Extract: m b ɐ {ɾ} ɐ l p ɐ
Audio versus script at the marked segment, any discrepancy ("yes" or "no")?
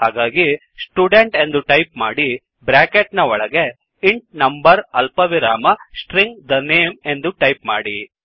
no